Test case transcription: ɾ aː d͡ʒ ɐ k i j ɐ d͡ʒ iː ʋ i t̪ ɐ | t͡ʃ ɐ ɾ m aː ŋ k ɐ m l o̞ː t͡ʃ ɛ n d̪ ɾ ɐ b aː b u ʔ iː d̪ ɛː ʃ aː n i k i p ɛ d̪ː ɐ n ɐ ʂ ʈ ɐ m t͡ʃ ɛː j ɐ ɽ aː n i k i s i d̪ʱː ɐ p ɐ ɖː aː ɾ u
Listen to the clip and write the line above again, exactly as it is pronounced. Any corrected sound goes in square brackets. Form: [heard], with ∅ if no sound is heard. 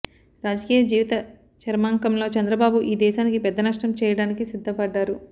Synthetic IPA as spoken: ɾ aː d͡ʒ ɐ k [iː] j ɐ d͡ʒ iː ʋ i t̪ ɐ | t͡ʃ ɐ ɾ m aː ŋ k ɐ m l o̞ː t͡ʃ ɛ n d̪ ɾ ɐ b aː b u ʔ iː d̪ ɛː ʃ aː n i k i p ɛ d̪ː ɐ n ɐ ʂ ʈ ɐ m t͡ʃ ɛː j ɐ ɽ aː n i k i s i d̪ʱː ɐ p ɐ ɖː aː ɾ u